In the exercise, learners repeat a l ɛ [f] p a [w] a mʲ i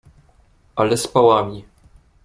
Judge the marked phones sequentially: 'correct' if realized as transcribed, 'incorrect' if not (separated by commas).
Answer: incorrect, correct